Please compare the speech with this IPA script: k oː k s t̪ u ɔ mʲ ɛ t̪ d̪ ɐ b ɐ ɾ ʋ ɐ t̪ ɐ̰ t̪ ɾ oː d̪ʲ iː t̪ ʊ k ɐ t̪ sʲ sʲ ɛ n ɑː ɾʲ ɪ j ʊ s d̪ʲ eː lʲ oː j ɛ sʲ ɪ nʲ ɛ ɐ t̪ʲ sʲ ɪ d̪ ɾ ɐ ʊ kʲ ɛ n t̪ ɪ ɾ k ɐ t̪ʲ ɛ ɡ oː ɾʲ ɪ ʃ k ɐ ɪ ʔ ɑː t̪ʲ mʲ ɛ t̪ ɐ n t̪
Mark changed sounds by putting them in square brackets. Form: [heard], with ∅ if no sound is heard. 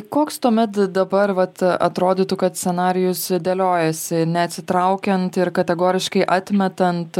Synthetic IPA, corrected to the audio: k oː k s t̪ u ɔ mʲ ɛ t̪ d̪ ɐ b ɐ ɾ ʋ ɐ t̪ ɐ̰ t̪ ɾ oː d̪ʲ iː t̪ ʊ k ɐ t̪ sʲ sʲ ɛ n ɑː ɾʲ ɪ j ʊ s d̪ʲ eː lʲ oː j ɛ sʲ ɪ nʲ ɛ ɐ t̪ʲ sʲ ɪ [t̪] ɾ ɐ ʊ kʲ ɛ n t̪ ɪ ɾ k ɐ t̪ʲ ɛ ɡ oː ɾʲ ɪ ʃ k ɐ ɪ ʔ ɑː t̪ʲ mʲ ɛ t̪ ɐ n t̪